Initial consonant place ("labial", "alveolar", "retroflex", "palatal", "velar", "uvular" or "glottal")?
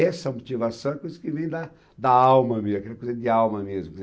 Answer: alveolar